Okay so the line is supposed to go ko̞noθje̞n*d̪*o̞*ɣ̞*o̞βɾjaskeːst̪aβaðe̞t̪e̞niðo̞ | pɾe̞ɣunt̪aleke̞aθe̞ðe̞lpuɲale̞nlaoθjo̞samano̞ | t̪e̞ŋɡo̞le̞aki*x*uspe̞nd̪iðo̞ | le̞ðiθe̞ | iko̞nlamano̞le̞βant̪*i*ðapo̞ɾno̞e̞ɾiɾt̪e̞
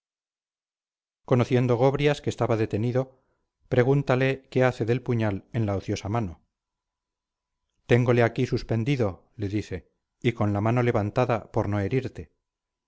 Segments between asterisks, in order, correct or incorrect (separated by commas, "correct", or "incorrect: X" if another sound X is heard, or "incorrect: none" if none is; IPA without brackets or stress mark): correct, correct, incorrect: s, incorrect: a